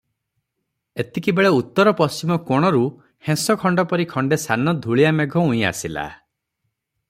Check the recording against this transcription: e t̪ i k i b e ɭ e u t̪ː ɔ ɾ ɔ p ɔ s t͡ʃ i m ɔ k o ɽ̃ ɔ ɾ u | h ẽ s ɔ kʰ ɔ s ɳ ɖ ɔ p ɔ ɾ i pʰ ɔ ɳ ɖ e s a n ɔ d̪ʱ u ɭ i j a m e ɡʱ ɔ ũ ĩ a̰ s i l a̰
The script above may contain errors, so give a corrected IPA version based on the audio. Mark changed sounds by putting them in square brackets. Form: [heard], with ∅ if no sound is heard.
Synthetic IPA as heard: e t̪ i k i b e ɭ e u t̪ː ɔ ɾ ɔ p ɔ s t͡ʃ i m ɔ k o ɽ̃ ɔ ɾ u | h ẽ s ɔ kʰ ɔ [∅] ɳ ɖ ɔ p ɔ ɾ i [kʰ] ɔ ɳ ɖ e s a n ɔ d̪ʱ u ɭ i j a m e ɡʱ ɔ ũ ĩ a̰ s i l a̰